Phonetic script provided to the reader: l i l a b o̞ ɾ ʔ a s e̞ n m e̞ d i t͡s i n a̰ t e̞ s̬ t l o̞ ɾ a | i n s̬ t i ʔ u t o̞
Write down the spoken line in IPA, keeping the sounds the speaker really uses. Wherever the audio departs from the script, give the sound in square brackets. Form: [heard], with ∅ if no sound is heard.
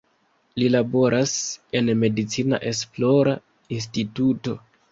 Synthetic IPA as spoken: l i l a b o̞ ɾ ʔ a s e̞ n m e̞ d i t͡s i n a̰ [ʔ] e̞ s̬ [p] l o̞ ɾ a | i n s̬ t i [t] u t o̞